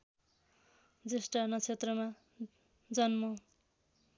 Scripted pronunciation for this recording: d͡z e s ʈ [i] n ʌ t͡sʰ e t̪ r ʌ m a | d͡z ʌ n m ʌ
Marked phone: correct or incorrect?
incorrect